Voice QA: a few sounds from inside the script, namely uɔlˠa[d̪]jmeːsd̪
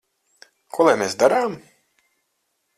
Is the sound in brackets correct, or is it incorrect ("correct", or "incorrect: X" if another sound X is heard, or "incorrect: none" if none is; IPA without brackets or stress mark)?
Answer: incorrect: none